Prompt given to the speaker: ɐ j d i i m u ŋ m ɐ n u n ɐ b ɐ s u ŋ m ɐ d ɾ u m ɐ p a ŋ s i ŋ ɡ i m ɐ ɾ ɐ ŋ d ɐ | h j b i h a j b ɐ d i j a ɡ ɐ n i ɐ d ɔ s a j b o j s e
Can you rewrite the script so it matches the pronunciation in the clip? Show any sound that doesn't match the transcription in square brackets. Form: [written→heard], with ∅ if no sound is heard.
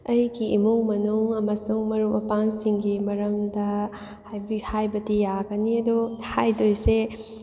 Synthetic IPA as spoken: ɐ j [d→ɡ] i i m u ŋ m ɐ n u [n→ŋ] ɐ [b→m] ɐ s u ŋ m ɐ [d→∅] ɾ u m ɐ p a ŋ s i ŋ ɡ i m ɐ ɾ ɐ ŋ d ɐ | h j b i h a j b ɐ d i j a ɡ ɐ n i ɐ d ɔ [s→h] a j [b→d] o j s e